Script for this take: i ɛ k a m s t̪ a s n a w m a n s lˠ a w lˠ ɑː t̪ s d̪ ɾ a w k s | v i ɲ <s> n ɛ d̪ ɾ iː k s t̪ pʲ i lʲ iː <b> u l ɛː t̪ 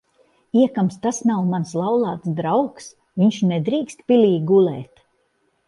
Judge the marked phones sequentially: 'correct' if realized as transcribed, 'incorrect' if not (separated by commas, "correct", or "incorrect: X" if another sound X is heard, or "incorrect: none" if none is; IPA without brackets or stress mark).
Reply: incorrect: ʃ, incorrect: ɡ